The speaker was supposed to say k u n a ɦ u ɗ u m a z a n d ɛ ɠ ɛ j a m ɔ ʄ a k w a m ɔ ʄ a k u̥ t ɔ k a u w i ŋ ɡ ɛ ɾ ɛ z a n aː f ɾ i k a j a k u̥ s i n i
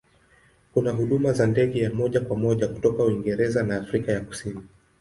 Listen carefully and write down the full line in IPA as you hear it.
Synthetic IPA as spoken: k u n a ɦ u ɗ u m a z a n d ɛ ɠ ɛ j a m ɔ ʄ a k w a m ɔ ʄ a k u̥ t ɔ k a u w i ŋ ɡ ɛ ɾ ɛ z a n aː f ɾ i k a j a k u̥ s i n i